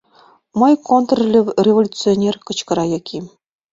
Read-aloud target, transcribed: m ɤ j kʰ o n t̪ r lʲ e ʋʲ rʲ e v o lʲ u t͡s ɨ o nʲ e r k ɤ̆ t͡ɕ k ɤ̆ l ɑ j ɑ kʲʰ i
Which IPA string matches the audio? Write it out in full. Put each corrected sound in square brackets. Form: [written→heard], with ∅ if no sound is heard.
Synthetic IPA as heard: m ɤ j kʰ o n t̪ r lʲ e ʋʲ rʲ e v o lʲ u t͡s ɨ o nʲ e r k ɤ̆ t͡ɕ k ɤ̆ [l→ɾ] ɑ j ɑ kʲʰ i

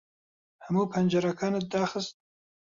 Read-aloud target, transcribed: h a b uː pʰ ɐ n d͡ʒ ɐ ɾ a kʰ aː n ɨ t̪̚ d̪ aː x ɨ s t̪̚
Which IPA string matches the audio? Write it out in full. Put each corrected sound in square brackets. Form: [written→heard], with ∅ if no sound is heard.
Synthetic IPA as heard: h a [b→m] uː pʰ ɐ n d͡ʒ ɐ ɾ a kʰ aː n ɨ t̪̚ d̪ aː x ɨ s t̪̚

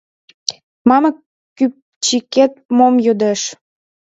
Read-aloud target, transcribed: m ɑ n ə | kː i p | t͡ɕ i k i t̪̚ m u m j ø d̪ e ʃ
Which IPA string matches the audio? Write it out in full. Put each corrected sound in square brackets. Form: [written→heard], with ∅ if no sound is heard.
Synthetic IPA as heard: m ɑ [n→m] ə | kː [i→y] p | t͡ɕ i k [i→e] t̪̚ m [u→o] m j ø d̪ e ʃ

